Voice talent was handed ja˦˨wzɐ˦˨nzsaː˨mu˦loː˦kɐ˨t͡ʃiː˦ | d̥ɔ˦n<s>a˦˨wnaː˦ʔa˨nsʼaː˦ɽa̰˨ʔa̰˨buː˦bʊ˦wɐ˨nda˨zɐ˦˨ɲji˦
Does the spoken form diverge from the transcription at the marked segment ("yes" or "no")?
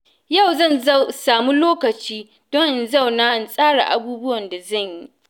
yes